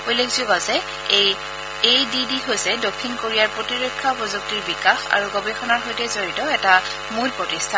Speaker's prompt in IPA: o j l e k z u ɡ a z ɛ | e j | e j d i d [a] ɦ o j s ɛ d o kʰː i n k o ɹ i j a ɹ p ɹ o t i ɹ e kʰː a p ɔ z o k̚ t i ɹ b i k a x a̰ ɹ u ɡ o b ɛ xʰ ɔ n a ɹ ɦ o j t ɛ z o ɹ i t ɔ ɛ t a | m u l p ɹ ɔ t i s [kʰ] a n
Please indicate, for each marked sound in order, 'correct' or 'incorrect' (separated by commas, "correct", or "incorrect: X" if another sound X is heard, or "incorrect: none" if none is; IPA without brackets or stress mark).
incorrect: i, incorrect: tʰ